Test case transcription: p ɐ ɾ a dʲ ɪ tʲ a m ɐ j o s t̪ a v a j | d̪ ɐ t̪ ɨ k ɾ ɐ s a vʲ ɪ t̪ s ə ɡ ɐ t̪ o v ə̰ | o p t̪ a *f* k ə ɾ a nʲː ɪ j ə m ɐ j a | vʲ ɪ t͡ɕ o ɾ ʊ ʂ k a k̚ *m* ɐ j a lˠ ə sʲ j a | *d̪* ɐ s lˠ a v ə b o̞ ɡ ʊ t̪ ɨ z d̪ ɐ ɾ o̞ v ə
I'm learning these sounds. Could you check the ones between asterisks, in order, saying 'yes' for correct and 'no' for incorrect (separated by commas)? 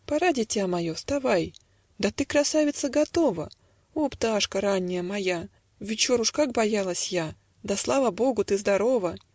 no, no, yes